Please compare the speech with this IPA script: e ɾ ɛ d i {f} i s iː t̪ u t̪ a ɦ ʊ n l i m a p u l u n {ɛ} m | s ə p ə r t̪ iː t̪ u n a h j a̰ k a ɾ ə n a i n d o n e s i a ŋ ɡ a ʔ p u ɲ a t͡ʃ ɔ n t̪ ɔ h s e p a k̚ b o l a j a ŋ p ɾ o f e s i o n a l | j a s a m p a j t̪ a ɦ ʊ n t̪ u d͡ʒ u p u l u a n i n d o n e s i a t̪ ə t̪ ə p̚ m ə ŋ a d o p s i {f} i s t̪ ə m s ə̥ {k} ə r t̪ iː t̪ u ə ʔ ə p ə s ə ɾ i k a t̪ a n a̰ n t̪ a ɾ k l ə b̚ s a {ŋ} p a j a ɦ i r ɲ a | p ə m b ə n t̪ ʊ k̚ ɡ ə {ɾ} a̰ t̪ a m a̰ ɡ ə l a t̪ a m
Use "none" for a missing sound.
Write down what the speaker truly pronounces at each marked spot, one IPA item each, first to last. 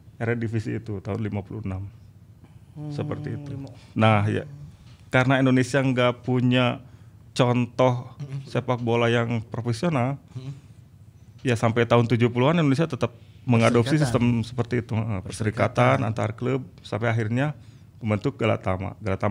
f, a, s, p, m, l

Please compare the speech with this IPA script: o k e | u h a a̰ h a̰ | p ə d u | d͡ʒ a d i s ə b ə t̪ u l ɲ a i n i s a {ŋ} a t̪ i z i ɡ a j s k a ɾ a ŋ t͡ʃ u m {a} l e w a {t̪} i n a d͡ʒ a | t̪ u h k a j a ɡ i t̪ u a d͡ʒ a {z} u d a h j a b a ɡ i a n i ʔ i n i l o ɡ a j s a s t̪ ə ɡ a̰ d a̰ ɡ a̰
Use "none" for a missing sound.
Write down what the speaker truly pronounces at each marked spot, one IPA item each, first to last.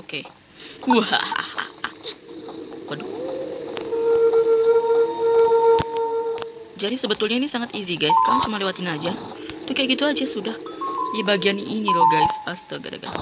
ŋ, a, t̪, s

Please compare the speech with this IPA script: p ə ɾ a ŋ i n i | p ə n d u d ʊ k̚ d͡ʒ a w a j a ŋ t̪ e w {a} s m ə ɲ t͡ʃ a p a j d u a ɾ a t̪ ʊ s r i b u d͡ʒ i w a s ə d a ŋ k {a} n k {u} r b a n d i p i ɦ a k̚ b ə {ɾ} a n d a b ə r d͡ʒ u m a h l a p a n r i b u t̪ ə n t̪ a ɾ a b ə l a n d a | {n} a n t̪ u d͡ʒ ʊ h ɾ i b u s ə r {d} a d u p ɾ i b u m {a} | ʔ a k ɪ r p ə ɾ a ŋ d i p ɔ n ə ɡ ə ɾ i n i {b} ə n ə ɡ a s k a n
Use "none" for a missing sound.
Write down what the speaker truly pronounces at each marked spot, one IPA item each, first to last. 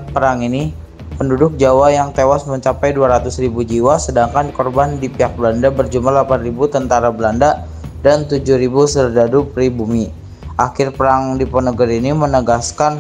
a, a, ɔ, l, d, d, i, m

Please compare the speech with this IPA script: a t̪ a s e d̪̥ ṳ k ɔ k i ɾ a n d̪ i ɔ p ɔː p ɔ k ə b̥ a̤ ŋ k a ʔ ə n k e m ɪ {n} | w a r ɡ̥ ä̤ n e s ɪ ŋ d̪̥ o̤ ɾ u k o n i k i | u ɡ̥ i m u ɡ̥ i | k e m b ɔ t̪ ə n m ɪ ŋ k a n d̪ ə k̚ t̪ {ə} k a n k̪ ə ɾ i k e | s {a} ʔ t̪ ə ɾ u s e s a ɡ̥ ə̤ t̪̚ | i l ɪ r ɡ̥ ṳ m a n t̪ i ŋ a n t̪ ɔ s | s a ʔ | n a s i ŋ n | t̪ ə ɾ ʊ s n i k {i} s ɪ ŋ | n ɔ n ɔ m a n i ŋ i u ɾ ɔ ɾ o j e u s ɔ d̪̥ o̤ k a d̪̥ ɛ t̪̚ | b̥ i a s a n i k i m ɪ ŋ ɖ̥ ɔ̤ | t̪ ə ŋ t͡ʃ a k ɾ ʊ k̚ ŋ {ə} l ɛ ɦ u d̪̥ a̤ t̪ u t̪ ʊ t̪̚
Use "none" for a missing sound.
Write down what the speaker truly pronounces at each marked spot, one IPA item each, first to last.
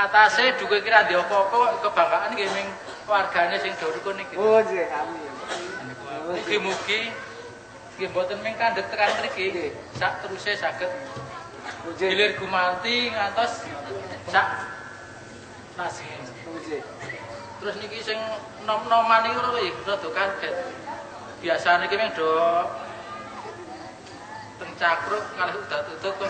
ŋ, ə, a, i, a

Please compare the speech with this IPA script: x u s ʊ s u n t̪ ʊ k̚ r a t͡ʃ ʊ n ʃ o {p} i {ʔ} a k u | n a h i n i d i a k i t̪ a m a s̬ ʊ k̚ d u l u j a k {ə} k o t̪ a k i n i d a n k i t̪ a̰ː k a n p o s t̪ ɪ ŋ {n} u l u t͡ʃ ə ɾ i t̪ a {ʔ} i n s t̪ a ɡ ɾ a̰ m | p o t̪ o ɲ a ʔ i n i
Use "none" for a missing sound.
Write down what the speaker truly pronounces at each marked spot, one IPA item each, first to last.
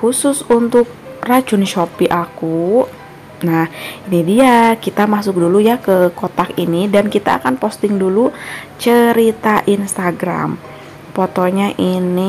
p, ʔ, ə, d, ʔ

